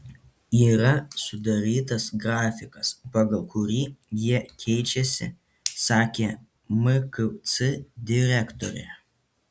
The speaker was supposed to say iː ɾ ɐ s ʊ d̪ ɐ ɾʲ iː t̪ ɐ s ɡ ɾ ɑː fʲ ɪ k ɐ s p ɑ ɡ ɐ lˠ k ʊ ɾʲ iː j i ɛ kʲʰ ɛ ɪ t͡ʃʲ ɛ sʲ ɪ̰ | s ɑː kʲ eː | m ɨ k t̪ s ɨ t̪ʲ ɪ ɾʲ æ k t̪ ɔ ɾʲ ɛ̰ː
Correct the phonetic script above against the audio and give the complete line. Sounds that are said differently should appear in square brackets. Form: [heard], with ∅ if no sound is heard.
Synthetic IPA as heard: iː ɾ ɐ s ʊ d̪ ɐ ɾʲ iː t̪ ɐ s ɡ ɾ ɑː fʲ ɪ k ɐ s p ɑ ɡ ɐ lˠ k ʊ ɾʲ iː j i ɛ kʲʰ ɛ ɪ t͡ʃʲ ɛ sʲ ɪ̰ | s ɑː kʲ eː | m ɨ k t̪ s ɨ [d̪ʲ] ɪ ɾʲ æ k t̪ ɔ ɾʲ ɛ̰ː